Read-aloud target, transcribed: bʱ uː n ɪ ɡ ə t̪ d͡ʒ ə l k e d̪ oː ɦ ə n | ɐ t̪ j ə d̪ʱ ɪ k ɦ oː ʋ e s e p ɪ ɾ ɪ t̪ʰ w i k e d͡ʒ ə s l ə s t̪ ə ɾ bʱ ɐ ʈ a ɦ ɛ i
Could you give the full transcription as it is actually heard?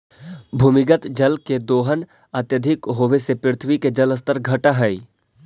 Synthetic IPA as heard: bʱ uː m ɪ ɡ ə t̪ d͡ʒ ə l k e d̪ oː ɦ ə n | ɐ t̪ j ə d̪ʱ ɪ k ɦ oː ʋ e s e p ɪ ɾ ɪ t̪ʰ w i k e d͡ʒ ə l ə s t̪ ə ɾ ɡʱ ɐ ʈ a ɦ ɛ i